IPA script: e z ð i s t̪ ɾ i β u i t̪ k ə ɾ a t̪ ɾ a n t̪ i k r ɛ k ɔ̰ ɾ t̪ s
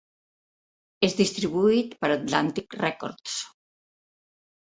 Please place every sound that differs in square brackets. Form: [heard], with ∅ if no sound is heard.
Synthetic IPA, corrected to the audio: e z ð i s t̪ ɾ i β u i t̪ [p] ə ɾ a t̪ [l] a n t̪ i k r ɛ k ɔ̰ ɾ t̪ s